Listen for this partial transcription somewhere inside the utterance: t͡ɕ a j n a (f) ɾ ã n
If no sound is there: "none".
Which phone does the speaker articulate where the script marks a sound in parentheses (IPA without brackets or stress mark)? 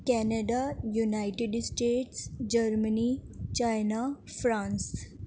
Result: f